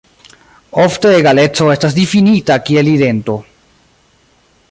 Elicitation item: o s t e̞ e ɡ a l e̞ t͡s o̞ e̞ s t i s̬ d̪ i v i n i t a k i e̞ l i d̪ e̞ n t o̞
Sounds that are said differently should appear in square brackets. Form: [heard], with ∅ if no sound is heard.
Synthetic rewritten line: o [f] t e̞ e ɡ a l e̞ t͡s o̞ e̞ s t [a] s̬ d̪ i [f] i n i t a k i e̞ l i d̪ e̞ n t o̞

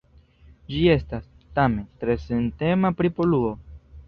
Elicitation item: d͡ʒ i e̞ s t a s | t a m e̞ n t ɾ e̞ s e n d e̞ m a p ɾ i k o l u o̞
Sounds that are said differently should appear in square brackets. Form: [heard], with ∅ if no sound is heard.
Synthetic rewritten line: d͡ʒ i e̞ s t a s | t a m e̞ n t ɾ e̞ s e n [t] e̞ m a p ɾ i [p] o l u o̞

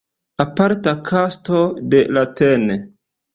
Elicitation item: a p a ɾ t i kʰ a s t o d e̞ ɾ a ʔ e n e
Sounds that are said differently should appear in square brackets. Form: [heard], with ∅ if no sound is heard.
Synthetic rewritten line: a p a ɾ t [a] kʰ a s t o d e̞ [l] a [t] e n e

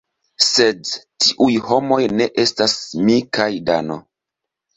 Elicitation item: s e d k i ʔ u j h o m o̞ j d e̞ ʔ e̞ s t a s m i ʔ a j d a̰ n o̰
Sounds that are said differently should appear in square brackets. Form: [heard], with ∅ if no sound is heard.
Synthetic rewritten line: s e d [t] i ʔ u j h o m o̞ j [n] e̞ ʔ e̞ s t a s m i [k] a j d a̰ n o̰

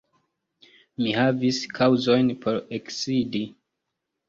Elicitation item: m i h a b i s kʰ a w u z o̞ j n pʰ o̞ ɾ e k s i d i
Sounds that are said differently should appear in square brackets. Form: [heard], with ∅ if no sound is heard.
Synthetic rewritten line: m i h a [v] i s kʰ a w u z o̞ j n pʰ o̞ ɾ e k s i d i

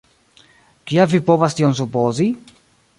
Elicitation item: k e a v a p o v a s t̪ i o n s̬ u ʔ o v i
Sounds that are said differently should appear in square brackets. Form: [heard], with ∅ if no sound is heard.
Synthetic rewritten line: k [i] a v [i] p o v a s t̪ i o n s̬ u [p] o [z] i

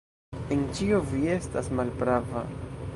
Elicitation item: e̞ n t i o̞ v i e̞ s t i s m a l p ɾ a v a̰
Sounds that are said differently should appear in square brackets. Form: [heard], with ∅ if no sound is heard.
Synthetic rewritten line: e̞ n [t͡ʃ] i o̞ v i e̞ s t [a] s m a l p ɾ a v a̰

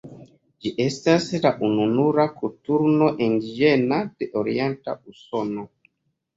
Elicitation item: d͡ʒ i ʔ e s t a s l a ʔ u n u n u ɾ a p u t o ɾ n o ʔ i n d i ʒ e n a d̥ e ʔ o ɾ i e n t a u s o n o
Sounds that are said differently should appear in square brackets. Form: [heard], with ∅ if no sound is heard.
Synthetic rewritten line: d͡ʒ i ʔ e s t a s l a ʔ u n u n u ɾ a [k] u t [u] ɾ n o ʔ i n d i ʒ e n a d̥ e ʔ o ɾ i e n t a u s o n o

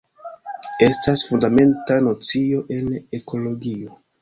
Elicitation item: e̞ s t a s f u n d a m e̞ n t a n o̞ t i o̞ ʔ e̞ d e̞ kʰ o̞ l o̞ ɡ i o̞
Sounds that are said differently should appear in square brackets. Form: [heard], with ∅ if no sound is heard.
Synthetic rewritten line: e̞ s t a s f u n d a m e̞ n t a n o̞ [t͡s] i o̞ ʔ e̞ [n] e̞ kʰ o̞ l o̞ ɡ i o̞

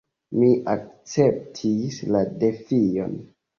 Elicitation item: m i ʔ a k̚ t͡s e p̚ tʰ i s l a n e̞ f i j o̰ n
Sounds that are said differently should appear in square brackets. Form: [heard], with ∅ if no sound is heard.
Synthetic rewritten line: m i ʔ a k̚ t͡s e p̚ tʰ i s l a [d] e̞ f i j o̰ n

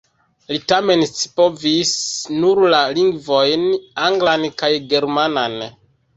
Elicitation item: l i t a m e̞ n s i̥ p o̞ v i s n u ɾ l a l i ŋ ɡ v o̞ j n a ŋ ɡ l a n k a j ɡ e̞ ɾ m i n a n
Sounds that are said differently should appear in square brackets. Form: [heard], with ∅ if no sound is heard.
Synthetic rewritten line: l i t a m e̞ n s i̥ p o̞ v i s n u ɾ l a l i ŋ ɡ v o̞ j n a ŋ ɡ l a n k a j ɡ e̞ ɾ m [a] n a n

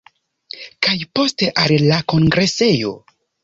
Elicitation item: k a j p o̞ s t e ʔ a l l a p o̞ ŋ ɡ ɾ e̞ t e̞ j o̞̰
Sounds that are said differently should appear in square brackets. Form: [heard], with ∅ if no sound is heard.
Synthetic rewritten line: k a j p o̞ s t e ʔ a l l a [k] o̞ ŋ ɡ ɾ e̞ [s] e̞ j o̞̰

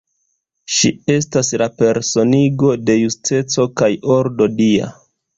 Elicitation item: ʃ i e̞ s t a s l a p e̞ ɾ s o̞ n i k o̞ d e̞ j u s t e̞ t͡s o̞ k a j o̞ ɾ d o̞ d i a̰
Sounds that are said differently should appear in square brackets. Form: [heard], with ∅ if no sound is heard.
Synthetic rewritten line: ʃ i e̞ s t a s l a p e̞ ɾ s o̞ n i [ɡ] o̞ d e̞ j u s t e̞ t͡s o̞ k a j o̞ ɾ d o̞ d i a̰

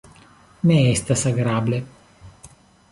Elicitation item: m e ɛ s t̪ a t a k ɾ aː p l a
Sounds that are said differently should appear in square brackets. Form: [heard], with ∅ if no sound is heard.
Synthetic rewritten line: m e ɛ s t̪ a [s] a [ɡ] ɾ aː [b] l [e]

